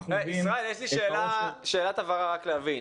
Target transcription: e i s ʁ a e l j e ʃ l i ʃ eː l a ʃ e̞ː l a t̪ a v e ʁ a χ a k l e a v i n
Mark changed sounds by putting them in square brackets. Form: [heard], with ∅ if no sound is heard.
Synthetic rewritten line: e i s ʁ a e l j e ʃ l i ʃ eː l a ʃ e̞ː l a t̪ a v [a] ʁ a [ʁ] a k l e a v i n